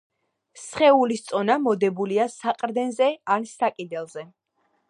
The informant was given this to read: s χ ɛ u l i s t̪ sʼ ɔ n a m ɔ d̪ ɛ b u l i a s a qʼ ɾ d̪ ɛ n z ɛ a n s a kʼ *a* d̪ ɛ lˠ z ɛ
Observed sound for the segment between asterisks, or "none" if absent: i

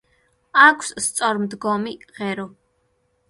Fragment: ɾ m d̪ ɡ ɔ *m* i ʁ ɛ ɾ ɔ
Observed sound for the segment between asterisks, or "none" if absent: m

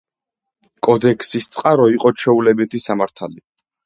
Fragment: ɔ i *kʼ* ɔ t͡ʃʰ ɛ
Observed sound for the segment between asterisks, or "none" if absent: qʼ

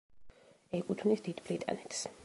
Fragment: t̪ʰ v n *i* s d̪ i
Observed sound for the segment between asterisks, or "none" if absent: i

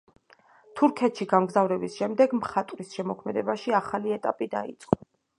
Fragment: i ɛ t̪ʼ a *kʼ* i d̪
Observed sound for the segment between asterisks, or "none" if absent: pʼ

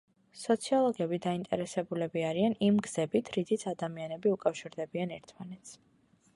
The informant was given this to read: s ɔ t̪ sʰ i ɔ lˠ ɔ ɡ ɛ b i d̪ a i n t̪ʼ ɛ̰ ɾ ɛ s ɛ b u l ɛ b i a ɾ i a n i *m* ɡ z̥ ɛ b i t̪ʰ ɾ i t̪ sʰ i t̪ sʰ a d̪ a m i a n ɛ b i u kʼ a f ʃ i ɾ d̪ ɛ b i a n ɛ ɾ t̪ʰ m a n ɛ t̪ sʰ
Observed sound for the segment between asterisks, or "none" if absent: m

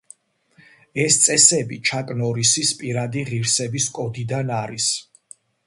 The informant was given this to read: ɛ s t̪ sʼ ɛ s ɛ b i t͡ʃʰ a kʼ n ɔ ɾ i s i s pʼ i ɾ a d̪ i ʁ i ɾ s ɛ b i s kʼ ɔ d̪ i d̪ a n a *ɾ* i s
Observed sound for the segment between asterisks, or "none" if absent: ɾ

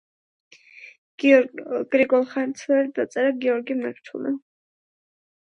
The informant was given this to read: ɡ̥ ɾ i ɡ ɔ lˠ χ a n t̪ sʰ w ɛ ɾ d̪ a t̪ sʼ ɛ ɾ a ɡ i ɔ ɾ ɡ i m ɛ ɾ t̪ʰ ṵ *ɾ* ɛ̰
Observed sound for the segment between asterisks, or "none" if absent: l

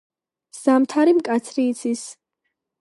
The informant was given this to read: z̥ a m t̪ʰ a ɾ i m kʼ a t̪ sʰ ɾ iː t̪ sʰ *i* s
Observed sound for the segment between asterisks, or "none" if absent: i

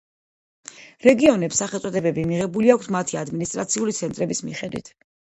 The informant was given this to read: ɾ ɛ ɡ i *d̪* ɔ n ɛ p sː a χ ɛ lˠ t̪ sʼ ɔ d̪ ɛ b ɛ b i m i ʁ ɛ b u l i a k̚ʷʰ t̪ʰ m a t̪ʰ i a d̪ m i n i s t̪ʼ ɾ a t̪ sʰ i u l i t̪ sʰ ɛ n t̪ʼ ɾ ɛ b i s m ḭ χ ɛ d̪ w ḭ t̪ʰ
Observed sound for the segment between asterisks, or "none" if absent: none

